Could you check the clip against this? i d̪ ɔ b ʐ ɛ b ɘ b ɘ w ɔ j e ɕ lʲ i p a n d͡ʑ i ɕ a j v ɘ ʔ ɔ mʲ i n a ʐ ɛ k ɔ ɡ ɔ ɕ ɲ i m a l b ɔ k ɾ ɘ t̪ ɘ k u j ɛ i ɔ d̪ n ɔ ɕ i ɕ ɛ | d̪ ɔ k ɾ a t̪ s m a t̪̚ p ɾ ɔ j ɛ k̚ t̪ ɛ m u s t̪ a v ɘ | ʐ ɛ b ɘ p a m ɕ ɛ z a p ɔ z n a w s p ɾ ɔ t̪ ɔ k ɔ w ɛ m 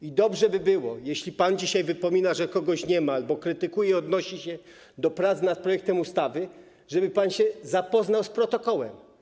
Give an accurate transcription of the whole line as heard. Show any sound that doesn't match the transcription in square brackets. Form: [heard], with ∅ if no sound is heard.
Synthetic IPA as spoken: i d̪ ɔ b ʐ ɛ b ɘ b ɘ w ɔ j e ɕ lʲ i p a n d͡ʑ i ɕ a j v ɘ [p] ɔ mʲ i n a ʐ ɛ k ɔ ɡ ɔ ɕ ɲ [ɛ] m a l b ɔ k ɾ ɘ t̪ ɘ k u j ɛ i ɔ d̪ n ɔ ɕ i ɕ ɛ | d̪ ɔ [p] ɾ a t̪ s [n] a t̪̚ p ɾ ɔ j ɛ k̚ t̪ ɛ m u s t̪ a v ɘ | ʐ ɛ b ɘ p a [n] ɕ ɛ z a p ɔ z n a w s p ɾ ɔ t̪ ɔ k ɔ w ɛ m

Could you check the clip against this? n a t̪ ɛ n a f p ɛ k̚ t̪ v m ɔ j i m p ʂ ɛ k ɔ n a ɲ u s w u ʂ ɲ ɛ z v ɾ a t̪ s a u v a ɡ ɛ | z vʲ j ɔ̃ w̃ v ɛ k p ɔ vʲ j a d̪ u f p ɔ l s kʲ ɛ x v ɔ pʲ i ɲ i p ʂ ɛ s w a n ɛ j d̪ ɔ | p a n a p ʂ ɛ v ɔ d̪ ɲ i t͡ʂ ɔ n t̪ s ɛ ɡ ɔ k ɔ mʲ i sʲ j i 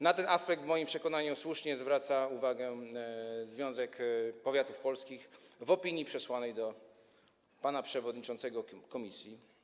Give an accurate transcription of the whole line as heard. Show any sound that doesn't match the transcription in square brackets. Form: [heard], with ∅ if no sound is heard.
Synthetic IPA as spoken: n a t̪ ɛ n a [s] p ɛ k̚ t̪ v m ɔ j i m p ʂ ɛ k ɔ n a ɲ u s w u ʂ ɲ ɛ z v ɾ a t̪ s a u v a ɡ ɛ | z vʲ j ɔ̃ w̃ [z] ɛ k p ɔ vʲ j a [t̪] u f p ɔ l s kʲ [i] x v ɔ pʲ i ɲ i p ʂ ɛ s w a n ɛ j d̪ ɔ | p a n a p ʂ ɛ v ɔ d̪ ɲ i t͡ʂ ɔ n t̪ s ɛ ɡ ɔ k ɔ mʲ i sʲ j i

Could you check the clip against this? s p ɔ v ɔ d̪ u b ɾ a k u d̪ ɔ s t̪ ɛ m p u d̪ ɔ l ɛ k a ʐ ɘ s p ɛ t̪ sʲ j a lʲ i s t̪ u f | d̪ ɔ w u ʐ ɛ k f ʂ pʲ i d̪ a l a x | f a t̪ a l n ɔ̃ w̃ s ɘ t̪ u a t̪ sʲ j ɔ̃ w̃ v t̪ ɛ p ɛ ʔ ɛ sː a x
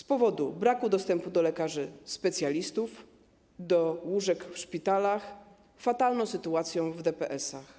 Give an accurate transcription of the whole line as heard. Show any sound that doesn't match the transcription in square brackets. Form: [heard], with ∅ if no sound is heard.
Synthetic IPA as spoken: s p ɔ v ɔ d̪ u b ɾ a k u d̪ ɔ s t̪ ɛ m p u d̪ ɔ l ɛ k a ʐ ɘ s p ɛ t̪ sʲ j a lʲ i s t̪ u f | d̪ ɔ w u ʐ ɛ k f ʂ pʲ i [t̪] a l a x | f a t̪ a l n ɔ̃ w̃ s ɘ t̪ u a t̪ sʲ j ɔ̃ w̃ v [d̪] ɛ p ɛ ʔ ɛ [s] a x

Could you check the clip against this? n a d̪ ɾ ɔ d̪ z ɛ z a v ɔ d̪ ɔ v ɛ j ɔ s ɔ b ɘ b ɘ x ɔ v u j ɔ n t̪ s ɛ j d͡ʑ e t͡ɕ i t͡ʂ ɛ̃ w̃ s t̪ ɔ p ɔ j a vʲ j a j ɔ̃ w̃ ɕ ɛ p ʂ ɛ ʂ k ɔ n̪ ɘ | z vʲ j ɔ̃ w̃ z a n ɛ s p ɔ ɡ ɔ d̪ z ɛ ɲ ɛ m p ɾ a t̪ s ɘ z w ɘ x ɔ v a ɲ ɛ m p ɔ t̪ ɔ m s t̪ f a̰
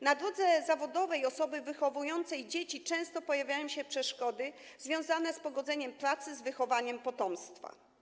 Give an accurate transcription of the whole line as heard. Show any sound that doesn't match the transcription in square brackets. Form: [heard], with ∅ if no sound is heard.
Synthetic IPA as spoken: n a d̪ ɾ ɔ d̪ z ɛ z a v ɔ d̪ ɔ v ɛ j ɔ s ɔ b ɘ [v] ɘ x ɔ v u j ɔ n t̪ s ɛ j d͡ʑ e t͡ɕ i t͡ʂ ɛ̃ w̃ s t̪ ɔ p ɔ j a vʲ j a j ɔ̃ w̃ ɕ ɛ p ʂ ɛ ʂ k ɔ [d̪] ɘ | z vʲ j ɔ̃ w̃ z a n ɛ s p ɔ ɡ ɔ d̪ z ɛ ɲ ɛ m p ɾ a t̪ s ɘ z [v] ɘ x ɔ v a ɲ ɛ m p ɔ t̪ ɔ m s t̪ f a̰

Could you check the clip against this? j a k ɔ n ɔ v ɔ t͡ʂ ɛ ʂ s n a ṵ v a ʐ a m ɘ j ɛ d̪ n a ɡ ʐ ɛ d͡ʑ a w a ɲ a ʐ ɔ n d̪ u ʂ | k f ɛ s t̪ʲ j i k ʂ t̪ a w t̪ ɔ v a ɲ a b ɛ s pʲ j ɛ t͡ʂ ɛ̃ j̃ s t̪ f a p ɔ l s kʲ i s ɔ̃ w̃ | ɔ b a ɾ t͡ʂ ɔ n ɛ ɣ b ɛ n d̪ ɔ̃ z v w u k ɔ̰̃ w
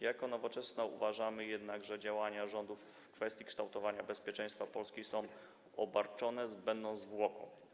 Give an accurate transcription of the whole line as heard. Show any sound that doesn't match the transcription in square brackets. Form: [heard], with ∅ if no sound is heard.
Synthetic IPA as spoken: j a k ɔ n ɔ v ɔ t͡ʂ ɛ [∅] s n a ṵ v a ʐ a m ɘ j ɛ d̪ n a ɡ ʐ ɛ d͡ʑ a w a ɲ a ʐ ɔ n d̪ u [f] | k f ɛ s t̪ʲ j i k ʂ t̪ a w t̪ ɔ v a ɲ a b ɛ s pʲ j ɛ t͡ʂ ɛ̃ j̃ s t̪ f a p ɔ l s kʲ i s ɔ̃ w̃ | ɔ b a ɾ t͡ʂ ɔ n ɛ [z] b ɛ n d̪ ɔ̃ z v w [ɔ] k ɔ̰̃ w

